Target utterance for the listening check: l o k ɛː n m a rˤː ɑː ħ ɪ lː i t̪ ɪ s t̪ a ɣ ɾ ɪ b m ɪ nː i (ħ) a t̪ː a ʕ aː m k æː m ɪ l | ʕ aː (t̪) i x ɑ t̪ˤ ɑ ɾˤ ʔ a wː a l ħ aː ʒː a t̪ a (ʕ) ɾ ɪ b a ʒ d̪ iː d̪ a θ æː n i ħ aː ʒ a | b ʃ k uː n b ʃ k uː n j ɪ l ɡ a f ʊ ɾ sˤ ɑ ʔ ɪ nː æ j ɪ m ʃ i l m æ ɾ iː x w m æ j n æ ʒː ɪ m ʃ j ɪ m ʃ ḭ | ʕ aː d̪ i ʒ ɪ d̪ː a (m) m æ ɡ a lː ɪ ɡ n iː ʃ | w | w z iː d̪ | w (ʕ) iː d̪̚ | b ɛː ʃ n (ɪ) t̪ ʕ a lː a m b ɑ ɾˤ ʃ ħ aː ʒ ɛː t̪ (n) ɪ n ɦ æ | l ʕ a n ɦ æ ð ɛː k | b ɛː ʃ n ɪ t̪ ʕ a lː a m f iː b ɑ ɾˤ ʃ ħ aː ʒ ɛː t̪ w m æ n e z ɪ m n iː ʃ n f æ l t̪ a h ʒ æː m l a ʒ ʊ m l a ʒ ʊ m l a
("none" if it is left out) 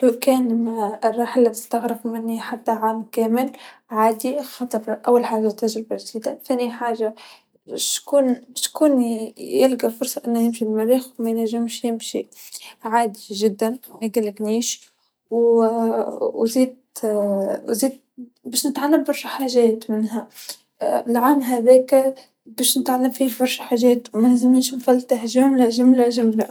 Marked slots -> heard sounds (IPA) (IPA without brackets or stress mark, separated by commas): ħ, d̪, ʒ, n, z, ɪ, m